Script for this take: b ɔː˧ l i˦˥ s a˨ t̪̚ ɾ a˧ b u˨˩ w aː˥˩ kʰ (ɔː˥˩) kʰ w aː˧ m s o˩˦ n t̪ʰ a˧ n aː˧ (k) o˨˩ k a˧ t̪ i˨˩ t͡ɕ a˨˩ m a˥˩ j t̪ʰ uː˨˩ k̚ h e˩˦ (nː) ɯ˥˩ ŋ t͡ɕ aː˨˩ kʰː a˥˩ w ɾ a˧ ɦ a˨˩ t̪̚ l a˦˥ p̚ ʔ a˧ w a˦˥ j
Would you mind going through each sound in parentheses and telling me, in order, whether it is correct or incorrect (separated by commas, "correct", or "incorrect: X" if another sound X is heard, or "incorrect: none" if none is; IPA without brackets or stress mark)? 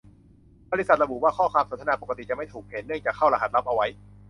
correct, incorrect: p, correct